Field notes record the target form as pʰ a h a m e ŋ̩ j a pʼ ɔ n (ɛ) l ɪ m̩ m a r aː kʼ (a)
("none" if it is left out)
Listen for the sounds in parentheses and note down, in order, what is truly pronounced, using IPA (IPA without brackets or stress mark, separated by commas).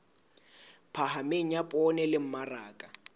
ɛ, a